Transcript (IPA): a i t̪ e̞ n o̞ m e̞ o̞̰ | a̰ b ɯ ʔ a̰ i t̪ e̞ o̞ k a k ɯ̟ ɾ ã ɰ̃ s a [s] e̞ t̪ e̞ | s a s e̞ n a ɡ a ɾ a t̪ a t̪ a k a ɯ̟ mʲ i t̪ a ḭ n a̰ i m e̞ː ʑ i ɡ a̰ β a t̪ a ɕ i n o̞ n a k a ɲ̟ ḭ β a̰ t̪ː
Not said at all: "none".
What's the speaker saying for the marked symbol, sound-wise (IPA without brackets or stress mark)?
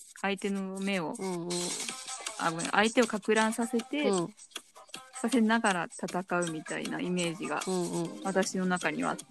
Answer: s